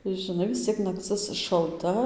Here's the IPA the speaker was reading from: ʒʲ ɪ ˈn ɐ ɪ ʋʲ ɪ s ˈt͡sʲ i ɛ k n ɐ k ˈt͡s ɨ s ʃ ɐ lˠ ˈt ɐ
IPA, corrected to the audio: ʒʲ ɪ ˈn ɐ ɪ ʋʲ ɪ s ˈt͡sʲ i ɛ k n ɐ k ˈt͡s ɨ s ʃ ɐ lˠ ˈt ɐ